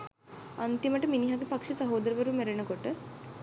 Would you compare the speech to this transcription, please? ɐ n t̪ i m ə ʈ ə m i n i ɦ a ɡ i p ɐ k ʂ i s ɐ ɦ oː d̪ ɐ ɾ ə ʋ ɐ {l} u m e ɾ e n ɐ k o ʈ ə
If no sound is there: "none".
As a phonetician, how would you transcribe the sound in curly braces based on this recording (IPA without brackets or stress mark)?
ɾ